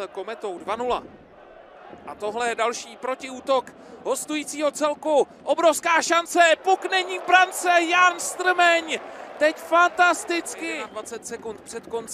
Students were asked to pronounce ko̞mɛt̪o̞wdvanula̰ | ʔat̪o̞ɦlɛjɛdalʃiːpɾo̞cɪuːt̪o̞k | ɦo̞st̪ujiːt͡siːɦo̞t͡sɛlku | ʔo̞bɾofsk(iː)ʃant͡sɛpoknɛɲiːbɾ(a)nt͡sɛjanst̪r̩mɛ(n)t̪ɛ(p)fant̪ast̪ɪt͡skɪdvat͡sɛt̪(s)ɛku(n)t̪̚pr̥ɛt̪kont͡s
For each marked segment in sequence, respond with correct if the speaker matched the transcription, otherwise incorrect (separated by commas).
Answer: incorrect, correct, incorrect, incorrect, correct, correct